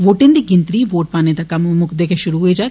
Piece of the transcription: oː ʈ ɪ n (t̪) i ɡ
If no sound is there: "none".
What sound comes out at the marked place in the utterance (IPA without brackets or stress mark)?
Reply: d̪